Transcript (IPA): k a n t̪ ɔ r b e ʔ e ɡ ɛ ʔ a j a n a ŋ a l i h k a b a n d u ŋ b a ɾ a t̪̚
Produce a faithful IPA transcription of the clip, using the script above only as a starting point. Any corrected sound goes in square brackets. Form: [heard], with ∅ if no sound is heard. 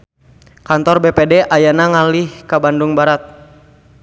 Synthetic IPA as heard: k a n t̪ ɔ r b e [p] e [d] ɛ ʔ a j a n a ŋ a l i h k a b a n d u ŋ b a ɾ a t̪̚